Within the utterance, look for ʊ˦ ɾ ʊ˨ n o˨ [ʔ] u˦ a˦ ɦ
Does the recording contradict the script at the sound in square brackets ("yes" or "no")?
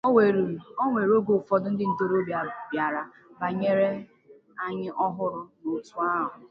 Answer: yes